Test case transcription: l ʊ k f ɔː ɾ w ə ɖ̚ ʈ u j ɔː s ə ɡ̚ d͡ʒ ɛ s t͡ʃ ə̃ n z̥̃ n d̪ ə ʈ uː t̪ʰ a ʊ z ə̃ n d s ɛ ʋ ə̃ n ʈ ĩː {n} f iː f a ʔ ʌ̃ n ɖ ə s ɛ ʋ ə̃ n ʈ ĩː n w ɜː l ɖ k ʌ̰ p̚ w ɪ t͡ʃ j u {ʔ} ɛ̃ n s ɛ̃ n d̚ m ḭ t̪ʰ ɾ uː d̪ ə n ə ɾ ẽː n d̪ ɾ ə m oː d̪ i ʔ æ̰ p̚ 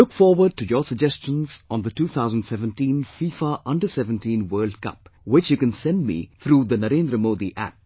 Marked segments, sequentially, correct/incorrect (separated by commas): correct, incorrect